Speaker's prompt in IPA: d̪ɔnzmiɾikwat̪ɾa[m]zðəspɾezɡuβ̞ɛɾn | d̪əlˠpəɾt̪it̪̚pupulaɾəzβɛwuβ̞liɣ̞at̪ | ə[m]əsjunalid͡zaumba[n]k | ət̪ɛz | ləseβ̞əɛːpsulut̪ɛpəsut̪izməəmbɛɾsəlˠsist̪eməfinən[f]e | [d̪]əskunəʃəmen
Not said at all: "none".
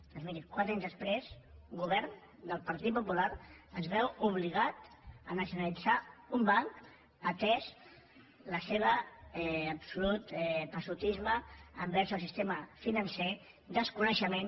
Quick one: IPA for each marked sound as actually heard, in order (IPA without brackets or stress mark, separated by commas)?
ɲ, n, ŋ, s, d̪